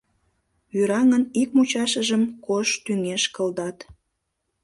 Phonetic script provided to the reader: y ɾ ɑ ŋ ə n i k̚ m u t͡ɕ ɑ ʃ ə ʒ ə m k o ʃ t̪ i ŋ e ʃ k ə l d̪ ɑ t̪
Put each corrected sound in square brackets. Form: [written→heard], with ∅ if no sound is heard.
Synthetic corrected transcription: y ɾ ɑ ŋ ə n i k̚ m u t͡ɕ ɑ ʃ ə ʒ ə m k o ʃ t̪ [i→y] ŋ e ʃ k ə l d̪ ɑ t̪